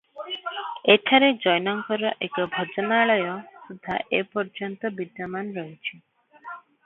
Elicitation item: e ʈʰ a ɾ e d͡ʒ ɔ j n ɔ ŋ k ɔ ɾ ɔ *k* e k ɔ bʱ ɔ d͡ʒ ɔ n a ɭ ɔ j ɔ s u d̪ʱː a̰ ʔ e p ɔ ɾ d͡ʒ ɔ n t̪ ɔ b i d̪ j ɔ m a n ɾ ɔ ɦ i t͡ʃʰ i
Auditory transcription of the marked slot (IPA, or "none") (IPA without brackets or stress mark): ʔ